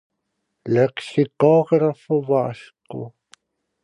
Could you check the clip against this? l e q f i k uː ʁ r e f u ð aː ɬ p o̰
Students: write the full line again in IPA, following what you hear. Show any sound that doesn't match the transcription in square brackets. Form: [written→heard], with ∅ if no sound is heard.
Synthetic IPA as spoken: l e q [f→s] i k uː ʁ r [e→a] f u [ð→v] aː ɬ [p→q] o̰